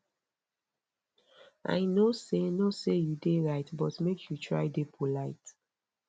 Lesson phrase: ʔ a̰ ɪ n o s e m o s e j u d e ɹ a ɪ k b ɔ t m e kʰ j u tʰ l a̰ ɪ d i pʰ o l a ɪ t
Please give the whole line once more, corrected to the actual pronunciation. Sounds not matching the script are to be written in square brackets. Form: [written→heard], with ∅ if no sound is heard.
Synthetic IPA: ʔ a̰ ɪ n o s e [m→n] o s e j u d e ɹ a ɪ [k→t] b ɔ t m e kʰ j u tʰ [l→ɹ] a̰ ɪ d [i→e] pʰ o l a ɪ t